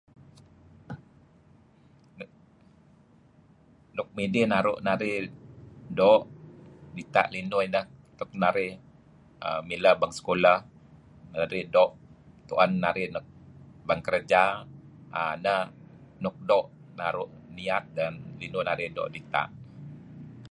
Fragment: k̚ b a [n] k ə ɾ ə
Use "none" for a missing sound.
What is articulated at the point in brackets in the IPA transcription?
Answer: ŋ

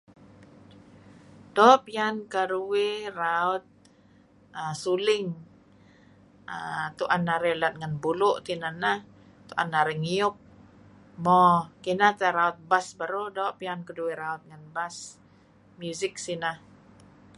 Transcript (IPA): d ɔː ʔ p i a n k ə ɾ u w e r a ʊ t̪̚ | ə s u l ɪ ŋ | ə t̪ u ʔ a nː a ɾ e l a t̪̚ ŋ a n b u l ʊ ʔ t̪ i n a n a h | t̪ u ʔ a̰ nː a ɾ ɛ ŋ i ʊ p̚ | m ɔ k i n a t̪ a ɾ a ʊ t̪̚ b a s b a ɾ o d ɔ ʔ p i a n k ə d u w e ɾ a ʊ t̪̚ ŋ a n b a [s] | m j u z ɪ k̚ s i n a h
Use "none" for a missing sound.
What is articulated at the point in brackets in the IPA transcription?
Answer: s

